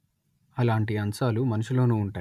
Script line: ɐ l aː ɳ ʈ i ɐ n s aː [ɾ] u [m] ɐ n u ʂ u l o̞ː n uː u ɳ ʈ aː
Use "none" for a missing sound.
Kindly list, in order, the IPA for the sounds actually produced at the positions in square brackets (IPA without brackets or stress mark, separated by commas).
l, m